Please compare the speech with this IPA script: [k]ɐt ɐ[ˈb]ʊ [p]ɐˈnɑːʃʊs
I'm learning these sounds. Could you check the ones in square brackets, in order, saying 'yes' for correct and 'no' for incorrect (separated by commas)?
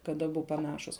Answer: yes, yes, yes